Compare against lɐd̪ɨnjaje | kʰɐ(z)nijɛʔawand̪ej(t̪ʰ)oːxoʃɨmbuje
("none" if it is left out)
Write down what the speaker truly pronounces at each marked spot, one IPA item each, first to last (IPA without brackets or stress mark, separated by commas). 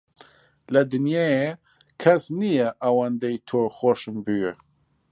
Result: s, t̪ʰ